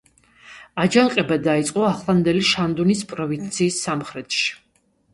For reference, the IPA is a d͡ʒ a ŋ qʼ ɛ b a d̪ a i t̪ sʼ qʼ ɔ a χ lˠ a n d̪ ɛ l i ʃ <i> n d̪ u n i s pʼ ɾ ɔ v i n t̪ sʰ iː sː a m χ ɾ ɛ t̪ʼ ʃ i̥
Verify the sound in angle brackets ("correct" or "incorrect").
incorrect